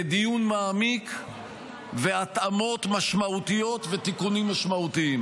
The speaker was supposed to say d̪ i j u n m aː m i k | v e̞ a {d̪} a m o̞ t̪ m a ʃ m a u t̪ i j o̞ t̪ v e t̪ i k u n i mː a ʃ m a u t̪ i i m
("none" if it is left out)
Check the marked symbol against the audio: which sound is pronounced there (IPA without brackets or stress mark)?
t̪